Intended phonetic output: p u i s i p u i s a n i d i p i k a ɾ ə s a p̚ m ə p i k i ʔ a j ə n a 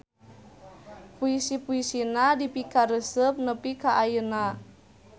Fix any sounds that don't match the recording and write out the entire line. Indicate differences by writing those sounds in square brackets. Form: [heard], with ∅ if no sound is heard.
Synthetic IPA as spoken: p u i s i p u i s [i] n [a] d i p i k a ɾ ə s [ə] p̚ [n] ə p i k [a] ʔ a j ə n a